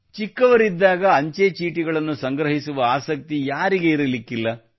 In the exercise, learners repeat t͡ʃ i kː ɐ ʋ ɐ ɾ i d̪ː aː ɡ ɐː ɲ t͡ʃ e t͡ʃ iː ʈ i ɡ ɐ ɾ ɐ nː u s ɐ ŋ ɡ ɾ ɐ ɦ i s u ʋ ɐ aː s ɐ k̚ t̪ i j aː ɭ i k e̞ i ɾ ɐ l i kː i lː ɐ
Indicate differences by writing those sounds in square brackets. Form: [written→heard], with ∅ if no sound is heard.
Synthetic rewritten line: t͡ʃ i kː ɐ ʋ ɐ ɾ i d̪ː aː ɡ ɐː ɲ t͡ʃ e t͡ʃ iː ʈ i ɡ ɐ [ɾ→ɭ] ɐ nː u s ɐ ŋ ɡ ɾ ɐ ɦ i s u ʋ ɐ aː s ɐ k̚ t̪ i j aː [ɭ→ɾ] i [k→ɡ] e̞ i ɾ ɐ l i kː i lː ɐ